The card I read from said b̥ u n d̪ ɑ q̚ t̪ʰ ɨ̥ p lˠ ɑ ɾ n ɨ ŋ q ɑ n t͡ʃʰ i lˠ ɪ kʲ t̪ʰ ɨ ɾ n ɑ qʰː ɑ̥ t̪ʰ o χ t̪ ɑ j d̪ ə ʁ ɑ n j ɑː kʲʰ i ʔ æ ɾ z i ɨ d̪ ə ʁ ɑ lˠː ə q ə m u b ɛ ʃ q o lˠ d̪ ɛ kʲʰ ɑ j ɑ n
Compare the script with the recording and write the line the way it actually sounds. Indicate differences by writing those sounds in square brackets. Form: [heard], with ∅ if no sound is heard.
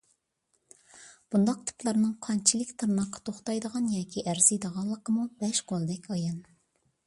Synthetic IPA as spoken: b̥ u n d̪ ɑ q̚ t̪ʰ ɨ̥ p lˠ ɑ ɾ n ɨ ŋ [qʰ] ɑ n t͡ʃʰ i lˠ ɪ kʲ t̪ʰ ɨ ɾ n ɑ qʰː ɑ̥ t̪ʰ o χ t̪ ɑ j d̪ ə ʁ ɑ n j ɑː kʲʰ i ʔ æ ɾ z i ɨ d̪ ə ʁ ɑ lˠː ə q ə m u b ɛ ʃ q o lˠ d̪ ɛ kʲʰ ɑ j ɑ n